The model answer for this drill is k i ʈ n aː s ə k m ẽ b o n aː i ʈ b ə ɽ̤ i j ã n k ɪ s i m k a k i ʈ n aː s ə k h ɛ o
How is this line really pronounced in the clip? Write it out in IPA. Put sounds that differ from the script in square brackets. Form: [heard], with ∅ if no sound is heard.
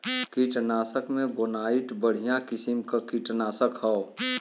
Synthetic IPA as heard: k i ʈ n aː s ə k m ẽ b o n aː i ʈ b ə ɽ̤ i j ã [∅] k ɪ s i m k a k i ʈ n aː s ə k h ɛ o